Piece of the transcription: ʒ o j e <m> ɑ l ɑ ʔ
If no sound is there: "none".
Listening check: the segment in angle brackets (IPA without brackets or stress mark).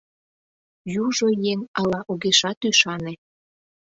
ŋ